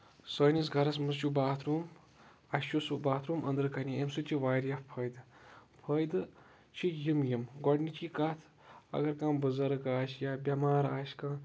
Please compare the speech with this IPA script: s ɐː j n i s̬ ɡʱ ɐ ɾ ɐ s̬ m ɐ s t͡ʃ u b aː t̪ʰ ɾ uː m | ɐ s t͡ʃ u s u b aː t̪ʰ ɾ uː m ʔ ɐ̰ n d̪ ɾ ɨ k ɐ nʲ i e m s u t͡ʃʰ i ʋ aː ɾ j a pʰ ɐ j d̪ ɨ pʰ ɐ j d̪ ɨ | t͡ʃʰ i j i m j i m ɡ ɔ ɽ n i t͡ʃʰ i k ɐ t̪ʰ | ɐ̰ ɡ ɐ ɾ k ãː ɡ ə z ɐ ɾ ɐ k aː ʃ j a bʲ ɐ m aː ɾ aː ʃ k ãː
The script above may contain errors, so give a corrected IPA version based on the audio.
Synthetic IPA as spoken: s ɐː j n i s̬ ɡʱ ɐ ɾ ɐ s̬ m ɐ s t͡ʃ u b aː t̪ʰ ɾ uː m | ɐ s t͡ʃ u s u b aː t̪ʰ ɾ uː m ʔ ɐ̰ n d̪ ɾ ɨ k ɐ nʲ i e m s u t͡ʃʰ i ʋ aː ɾ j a pʰ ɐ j d̪ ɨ pʰ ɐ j d̪ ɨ | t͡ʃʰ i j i m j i m ɡ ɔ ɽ n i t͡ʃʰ i k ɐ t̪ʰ | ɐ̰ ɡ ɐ ɾ k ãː b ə z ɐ ɾ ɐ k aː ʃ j a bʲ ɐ m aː ɾ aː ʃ k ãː